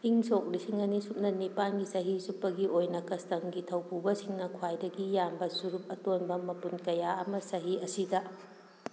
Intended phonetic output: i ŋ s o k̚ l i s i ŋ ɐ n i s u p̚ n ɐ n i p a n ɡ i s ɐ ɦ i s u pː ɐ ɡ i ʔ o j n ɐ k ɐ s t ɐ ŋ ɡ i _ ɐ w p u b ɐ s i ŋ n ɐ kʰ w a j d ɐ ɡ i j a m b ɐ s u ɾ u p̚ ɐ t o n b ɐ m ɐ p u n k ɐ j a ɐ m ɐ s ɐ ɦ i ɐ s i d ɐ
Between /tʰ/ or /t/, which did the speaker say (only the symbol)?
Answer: tʰ